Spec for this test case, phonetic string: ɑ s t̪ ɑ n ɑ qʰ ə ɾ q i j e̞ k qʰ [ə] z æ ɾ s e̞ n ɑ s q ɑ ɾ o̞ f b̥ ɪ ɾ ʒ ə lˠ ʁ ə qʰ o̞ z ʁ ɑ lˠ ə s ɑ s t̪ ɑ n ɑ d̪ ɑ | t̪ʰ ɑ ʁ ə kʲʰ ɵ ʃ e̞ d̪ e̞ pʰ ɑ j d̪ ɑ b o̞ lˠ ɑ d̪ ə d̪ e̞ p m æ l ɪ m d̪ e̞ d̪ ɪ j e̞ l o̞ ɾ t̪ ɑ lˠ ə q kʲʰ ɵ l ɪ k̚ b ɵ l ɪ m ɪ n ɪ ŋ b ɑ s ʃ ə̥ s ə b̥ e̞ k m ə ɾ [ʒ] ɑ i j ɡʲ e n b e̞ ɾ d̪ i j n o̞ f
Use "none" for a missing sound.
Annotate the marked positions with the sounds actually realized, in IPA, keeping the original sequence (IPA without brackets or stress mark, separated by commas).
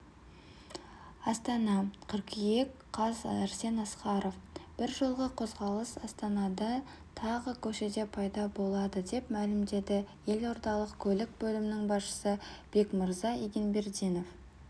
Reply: ɑ, z